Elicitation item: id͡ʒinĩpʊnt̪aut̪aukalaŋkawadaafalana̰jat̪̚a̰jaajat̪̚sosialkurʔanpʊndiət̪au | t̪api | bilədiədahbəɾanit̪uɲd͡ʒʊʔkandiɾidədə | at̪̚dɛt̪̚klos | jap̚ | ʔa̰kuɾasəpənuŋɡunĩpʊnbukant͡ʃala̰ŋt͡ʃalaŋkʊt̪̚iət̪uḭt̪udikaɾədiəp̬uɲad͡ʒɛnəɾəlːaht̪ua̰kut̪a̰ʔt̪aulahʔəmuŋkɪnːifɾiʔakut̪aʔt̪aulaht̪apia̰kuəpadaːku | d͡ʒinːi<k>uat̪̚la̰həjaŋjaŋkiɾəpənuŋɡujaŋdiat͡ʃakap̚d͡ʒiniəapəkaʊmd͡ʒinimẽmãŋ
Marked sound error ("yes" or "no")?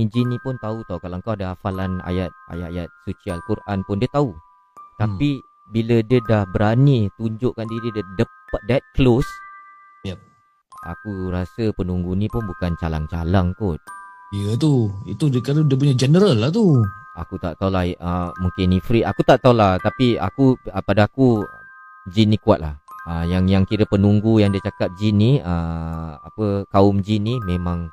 no